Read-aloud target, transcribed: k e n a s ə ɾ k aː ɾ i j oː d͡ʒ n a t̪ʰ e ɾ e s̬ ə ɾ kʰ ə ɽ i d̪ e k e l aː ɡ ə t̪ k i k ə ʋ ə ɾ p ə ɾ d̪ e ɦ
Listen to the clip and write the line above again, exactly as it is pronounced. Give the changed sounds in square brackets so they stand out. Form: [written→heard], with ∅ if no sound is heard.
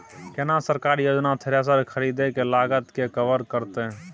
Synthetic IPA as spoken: k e n a s ə ɾ k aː ɾ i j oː d͡ʒ n a t̪ʰ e ɾ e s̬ ə ɾ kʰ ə [ɽ→ɾ] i d̪ e k e l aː ɡ ə t̪ k [i→e] k ə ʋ ə ɾ [p→k] ə ɾ [d̪→t̪] e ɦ